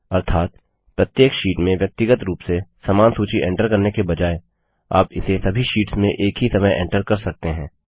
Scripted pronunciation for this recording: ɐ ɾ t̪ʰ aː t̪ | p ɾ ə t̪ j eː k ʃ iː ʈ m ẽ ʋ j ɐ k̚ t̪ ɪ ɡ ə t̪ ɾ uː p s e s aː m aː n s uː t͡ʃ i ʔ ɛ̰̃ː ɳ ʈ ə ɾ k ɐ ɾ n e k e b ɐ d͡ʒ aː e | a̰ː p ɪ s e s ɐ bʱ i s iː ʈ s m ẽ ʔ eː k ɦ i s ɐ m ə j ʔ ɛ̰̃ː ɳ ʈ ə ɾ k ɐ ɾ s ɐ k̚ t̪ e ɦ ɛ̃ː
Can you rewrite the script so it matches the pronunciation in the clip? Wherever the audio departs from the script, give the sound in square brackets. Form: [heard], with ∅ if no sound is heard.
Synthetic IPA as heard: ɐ ɾ t̪ʰ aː t̪ | p ɾ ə t̪ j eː k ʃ iː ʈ m ẽ ʋ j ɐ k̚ t̪ ɪ ɡ ə t̪ ɾ uː p s e s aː m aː n s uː t͡ʃ i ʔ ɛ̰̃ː ɳ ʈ ə ɾ k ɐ ɾ n e k e b ɐ d͡ʒ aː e | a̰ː p ɪ s e s ɐ bʱ i [ʃ] iː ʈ s m ẽ ʔ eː k ɦ i s ɐ m ə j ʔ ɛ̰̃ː ɳ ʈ ə ɾ k ɐ ɾ s ɐ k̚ t̪ e ɦ ɛ̃ː

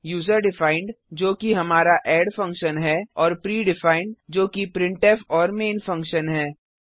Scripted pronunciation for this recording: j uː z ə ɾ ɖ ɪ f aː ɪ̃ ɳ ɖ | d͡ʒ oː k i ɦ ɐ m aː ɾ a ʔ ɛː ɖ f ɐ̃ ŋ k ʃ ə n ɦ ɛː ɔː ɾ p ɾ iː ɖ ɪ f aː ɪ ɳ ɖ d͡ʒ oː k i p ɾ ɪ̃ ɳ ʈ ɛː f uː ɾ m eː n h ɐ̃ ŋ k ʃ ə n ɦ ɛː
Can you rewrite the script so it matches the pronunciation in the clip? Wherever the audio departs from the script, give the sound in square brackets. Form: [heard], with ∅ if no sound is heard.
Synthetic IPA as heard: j uː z ə ɾ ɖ ɪ f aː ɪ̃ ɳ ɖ | d͡ʒ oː k i ɦ ɐ m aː ɾ a ʔ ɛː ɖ f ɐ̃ ŋ k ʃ ə n ɦ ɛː ɔː ɾ p ɾ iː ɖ ɪ f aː ɪ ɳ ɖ d͡ʒ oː k i p ɾ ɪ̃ ɳ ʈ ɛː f [ɔː] ɾ m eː n [f] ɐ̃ ŋ k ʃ ə n ɦ ɛː

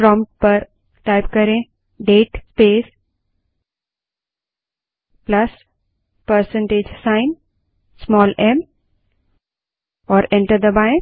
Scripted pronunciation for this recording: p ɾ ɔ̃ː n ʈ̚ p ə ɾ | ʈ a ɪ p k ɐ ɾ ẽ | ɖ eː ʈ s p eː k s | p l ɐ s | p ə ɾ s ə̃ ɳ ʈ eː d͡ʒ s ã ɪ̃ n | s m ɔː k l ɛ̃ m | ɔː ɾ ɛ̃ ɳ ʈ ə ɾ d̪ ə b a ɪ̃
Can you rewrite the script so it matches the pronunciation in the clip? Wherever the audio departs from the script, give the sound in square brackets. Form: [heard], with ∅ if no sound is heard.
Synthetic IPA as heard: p ɾ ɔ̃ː [m] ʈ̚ p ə ɾ | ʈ a ɪ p k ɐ ɾ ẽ | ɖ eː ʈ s p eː [∅] s | p l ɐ s | p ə ɾ s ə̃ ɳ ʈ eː d͡ʒ s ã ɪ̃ n | s m ɔː [∅] l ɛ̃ m | ɔː ɾ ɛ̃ ɳ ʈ ə ɾ d̪ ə b a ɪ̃

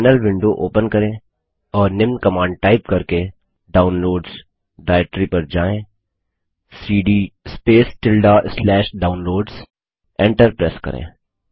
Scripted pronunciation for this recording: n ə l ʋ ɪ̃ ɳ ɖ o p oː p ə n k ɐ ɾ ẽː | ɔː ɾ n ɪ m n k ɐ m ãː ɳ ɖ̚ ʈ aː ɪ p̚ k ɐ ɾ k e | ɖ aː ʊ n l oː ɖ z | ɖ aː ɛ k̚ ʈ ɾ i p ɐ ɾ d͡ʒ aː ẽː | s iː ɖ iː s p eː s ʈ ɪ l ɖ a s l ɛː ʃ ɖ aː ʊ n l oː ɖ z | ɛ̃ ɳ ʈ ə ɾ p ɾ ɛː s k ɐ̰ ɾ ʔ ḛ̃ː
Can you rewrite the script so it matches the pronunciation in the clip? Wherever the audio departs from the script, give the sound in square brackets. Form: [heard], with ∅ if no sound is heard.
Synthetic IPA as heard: n ə l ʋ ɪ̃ ɳ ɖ o [ʔ] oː p ə n k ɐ ɾ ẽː | ɔː ɾ n ɪ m n k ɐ m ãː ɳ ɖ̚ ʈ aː ɪ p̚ k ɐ ɾ k e | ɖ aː ʊ n l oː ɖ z | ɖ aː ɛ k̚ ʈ ɾ i p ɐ ɾ d͡ʒ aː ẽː | s iː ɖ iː s p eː s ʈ ɪ l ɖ a s l ɛː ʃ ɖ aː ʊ n l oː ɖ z | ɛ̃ ɳ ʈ ə ɾ p ɾ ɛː s k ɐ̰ ɾ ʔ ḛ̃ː

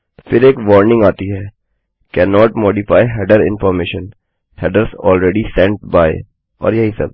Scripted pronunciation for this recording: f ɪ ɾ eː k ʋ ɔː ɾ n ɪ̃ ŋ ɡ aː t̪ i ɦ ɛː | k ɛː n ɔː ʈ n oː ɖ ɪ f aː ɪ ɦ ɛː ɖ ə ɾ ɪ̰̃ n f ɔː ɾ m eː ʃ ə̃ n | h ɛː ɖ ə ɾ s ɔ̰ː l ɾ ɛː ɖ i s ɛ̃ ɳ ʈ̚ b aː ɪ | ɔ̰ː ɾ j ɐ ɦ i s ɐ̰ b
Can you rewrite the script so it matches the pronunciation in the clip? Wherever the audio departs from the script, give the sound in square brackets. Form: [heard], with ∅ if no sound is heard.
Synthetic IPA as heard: f ɪ ɾ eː k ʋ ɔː ɾ n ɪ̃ ŋ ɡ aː t̪ i ɦ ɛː | k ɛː n ɔː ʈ [m] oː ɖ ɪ f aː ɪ ɦ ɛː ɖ ə ɾ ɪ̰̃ n f ɔː ɾ m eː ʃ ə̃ n | h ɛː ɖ ə ɾ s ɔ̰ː l ɾ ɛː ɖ i s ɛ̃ ɳ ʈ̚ b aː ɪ | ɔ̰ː ɾ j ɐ ɦ i s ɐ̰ b

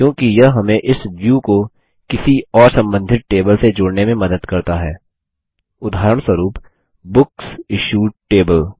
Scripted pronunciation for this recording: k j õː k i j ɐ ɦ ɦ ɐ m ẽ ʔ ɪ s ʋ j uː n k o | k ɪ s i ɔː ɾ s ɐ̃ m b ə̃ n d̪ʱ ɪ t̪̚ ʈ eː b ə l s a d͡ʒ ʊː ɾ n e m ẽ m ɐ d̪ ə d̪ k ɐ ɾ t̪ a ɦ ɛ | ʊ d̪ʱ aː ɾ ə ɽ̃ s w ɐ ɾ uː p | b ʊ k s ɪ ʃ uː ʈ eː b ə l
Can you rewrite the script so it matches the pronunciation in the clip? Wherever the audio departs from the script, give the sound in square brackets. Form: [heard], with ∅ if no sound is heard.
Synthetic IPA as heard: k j õː k i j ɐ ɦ ɦ ɐ m ẽ ʔ ɪ s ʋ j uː [∅] k o | k ɪ s i ɔː ɾ s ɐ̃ m b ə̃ n d̪ʱ ɪ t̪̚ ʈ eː b ə l s [e] d͡ʒ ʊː [ɽ] n e m ẽ m ɐ d̪ ə d̪ k ɐ ɾ t̪ a ɦ [ɛː] | ʊ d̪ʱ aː ɾ ə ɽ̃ s w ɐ ɾ uː p | b ʊ k s ɪ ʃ uː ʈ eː b ə l

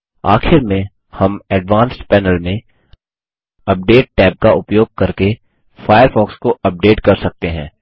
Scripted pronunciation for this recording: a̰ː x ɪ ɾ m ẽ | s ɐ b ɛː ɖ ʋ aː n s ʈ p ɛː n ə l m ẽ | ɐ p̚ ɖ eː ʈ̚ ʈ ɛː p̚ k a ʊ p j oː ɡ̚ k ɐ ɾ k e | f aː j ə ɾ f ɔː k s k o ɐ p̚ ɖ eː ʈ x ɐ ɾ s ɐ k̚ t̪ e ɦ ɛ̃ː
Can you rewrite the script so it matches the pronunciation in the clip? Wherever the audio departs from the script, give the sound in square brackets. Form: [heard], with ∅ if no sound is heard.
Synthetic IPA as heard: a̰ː x ɪ ɾ m ẽ | [h] ɐ [m] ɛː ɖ ʋ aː n s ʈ p ɛː n ə l m ẽ | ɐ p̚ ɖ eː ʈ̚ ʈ ɛː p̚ k a ʊ p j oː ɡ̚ k ɐ ɾ k e | f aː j ə ɾ f ɔː k s k o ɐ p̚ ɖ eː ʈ [k] ɐ ɾ s ɐ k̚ t̪ e ɦ ɛ̃ː

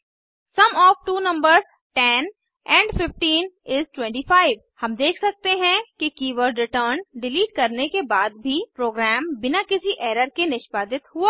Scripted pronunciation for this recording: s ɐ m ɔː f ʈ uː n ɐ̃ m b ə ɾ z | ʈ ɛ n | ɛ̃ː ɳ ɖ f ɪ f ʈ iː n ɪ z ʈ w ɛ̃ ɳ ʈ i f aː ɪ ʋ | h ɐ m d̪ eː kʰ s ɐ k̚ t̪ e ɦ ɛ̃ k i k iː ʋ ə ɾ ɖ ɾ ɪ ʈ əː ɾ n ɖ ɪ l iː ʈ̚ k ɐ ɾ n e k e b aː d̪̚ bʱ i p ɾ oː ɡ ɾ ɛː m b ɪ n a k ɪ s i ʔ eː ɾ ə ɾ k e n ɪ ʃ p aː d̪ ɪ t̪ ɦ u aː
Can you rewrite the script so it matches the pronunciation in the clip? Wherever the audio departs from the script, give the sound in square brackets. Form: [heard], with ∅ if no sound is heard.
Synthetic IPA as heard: s ɐ m ɔː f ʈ uː n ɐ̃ m b ə ɾ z | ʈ ɛ n | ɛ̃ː ɳ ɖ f ɪ f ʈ iː n ɪ z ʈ w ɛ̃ ɳ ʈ i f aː ɪ ʋ | h ɐ m d̪ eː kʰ s ɐ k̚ t̪ e ɦ ɛ̃ k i k iː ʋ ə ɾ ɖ ɾ ɪ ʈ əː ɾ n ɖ ɪ l iː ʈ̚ k ɐ ɾ n e k e b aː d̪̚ bʱ i p ɾ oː ɡ ɾ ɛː m b ɪ n a k ɪ s i ʔ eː ɾ ə ɾ k e n ɪ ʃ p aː d̪ ɪ t̪ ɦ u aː

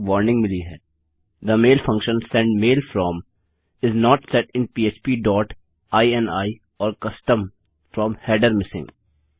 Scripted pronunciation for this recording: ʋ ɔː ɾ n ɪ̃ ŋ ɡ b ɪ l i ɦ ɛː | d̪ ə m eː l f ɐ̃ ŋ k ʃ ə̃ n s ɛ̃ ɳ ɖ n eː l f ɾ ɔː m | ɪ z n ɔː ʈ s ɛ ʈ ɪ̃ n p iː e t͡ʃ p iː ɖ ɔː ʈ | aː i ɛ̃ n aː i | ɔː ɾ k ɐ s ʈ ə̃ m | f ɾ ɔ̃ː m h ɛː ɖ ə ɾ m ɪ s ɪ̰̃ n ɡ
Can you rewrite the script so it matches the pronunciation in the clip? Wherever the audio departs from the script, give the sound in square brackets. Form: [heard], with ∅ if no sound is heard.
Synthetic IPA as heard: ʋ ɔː ɾ n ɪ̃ ŋ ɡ [m] ɪ l i ɦ ɛː | d̪ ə m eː l f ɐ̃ ŋ k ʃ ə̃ n s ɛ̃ ɳ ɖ [m] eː l f ɾ ɔː m | ɪ z n ɔː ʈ s ɛ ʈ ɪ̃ n p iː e t͡ʃ p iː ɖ ɔː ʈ | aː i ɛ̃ n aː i | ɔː ɾ k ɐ s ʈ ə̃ m | f ɾ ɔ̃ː m h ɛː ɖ ə ɾ m ɪ s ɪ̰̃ [ŋ] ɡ

